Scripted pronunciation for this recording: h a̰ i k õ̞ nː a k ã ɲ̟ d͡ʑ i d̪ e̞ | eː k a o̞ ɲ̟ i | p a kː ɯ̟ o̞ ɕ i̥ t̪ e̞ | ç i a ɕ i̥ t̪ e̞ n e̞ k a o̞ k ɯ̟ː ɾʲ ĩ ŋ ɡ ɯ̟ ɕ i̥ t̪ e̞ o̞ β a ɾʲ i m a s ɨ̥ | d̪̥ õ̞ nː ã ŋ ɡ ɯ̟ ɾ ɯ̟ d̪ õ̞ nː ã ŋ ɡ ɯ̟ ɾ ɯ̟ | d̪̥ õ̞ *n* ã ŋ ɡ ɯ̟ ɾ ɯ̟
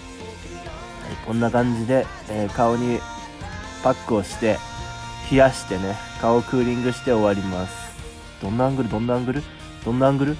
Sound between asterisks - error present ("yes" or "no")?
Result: yes